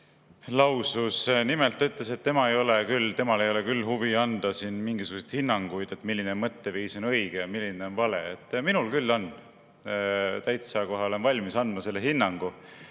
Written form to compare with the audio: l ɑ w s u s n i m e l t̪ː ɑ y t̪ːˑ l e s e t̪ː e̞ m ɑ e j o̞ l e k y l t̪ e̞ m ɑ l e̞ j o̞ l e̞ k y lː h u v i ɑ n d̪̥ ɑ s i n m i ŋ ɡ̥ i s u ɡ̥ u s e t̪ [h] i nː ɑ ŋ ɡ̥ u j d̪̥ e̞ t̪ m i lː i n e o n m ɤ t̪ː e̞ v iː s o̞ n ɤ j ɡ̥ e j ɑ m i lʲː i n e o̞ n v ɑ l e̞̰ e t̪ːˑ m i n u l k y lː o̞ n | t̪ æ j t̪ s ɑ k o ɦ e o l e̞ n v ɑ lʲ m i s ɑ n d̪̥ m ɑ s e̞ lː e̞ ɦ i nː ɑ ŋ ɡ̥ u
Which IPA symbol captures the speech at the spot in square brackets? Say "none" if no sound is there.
h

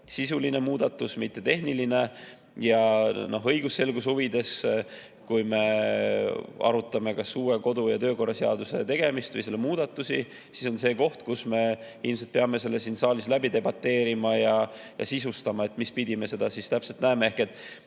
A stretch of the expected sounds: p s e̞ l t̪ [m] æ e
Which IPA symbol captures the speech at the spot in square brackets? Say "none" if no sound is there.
n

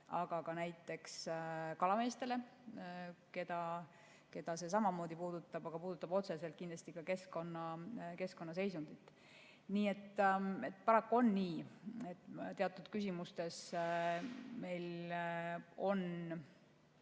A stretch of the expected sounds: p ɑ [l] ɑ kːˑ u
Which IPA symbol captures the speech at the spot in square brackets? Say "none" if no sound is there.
ɾ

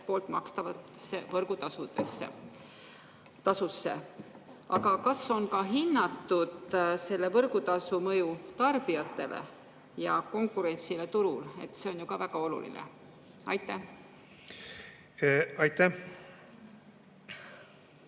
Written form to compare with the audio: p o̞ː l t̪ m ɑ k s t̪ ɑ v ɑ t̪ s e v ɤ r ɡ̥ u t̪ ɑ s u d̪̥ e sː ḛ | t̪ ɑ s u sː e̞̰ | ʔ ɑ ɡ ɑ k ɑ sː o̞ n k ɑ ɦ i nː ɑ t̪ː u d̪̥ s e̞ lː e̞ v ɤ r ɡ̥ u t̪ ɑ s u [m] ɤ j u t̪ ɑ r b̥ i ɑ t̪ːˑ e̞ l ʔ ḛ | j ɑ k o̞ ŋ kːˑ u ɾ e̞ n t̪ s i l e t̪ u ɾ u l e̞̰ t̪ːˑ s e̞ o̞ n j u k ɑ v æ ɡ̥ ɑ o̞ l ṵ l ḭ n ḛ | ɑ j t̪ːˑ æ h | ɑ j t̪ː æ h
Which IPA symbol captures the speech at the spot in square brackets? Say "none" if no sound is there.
m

